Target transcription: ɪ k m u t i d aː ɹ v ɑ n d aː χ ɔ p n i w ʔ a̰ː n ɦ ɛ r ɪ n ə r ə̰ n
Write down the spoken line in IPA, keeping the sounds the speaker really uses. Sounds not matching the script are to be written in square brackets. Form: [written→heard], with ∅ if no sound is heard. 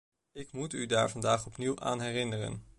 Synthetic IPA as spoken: ɪ k m u t [i→y] d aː ɹ v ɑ n d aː χ ɔ p n i w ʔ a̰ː n ɦ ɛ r ɪ n ə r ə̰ n